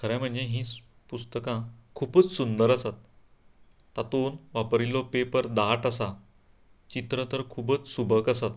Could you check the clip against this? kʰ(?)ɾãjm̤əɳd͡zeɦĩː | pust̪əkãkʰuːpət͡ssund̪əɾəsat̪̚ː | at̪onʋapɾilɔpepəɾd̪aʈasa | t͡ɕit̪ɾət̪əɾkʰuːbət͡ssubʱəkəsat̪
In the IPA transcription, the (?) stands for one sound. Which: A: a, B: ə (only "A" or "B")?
B